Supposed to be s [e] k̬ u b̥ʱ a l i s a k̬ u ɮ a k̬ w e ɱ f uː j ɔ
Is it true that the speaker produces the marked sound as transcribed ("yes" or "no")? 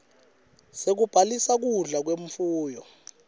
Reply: yes